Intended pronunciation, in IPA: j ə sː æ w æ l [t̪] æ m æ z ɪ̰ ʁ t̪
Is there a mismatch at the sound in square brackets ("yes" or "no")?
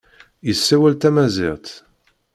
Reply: no